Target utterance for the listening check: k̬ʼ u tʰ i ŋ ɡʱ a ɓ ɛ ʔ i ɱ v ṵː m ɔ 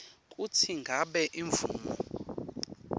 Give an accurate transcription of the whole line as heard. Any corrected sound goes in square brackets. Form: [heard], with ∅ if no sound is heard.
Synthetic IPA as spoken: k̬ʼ u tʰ i ŋ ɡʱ a ɓ ɛ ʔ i ɱ v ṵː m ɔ